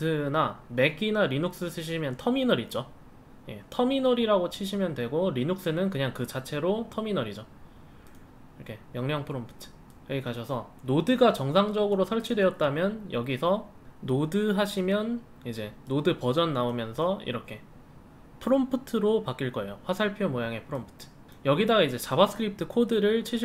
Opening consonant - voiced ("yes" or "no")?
yes